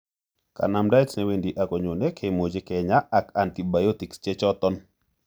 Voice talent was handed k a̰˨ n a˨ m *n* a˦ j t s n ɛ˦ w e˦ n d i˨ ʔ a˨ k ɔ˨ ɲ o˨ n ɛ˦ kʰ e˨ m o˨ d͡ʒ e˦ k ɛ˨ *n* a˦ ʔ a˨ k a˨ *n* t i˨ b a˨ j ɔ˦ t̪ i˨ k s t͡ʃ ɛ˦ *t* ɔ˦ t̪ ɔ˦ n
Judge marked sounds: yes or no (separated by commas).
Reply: no, no, yes, no